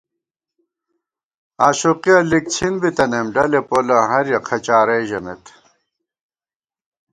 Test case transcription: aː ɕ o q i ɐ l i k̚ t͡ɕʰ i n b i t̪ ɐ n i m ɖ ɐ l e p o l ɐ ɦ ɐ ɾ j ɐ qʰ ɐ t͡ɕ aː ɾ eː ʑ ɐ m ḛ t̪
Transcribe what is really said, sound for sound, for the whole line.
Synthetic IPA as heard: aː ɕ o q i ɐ l i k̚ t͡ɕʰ i n b i t̪ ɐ n e m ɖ ɐ l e p o l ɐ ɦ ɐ ɾ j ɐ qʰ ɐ t͡ɕ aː ɾ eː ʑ ɐ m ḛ t̪